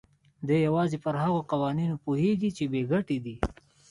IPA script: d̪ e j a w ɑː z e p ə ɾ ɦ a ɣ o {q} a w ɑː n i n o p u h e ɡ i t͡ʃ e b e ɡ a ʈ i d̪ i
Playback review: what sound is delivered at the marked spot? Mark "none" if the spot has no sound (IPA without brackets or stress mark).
q